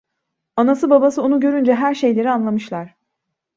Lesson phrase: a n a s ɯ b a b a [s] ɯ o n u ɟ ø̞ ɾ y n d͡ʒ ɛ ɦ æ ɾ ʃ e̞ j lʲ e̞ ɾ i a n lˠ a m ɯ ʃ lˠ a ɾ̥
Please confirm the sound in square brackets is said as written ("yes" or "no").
yes